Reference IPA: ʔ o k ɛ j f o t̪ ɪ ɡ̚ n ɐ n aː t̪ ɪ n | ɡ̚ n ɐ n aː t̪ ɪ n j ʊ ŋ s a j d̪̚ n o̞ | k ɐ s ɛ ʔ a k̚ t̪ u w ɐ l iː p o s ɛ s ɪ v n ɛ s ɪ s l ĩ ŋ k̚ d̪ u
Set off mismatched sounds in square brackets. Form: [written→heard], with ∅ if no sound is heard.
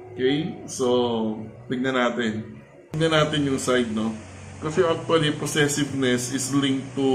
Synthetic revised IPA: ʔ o k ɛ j [f→s] o t̪ ɪ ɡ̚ n ɐ n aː t̪ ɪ n | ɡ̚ n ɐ n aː t̪ ɪ n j ʊ ŋ s a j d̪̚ n o̞ | k ɐ s ɛ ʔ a k̚ t̪ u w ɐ l [iː→i] p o s ɛ s ɪ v n ɛ s ɪ s l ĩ ŋ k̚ [d̪→t̪] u